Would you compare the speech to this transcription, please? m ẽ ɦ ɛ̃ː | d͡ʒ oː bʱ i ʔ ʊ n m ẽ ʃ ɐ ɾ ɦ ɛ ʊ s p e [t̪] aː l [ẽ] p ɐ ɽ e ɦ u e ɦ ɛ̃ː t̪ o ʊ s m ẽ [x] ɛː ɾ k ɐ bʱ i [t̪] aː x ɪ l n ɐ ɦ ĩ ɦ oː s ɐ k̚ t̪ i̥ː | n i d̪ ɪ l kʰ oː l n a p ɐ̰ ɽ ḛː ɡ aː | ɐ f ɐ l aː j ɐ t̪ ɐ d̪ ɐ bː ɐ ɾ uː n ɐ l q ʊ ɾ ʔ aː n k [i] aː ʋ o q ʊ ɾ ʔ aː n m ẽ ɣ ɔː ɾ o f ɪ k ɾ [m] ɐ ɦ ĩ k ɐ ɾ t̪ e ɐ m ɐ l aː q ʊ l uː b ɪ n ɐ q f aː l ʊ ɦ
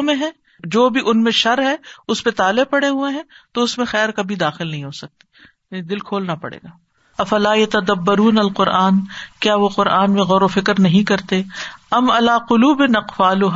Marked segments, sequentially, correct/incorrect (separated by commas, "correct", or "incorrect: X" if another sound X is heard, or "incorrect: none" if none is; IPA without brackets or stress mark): correct, incorrect: e, correct, incorrect: d̪, incorrect: j, incorrect: n